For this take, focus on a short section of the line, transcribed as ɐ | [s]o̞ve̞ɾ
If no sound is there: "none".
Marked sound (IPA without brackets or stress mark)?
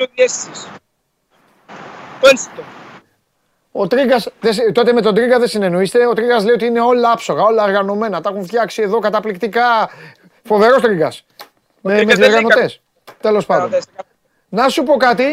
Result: f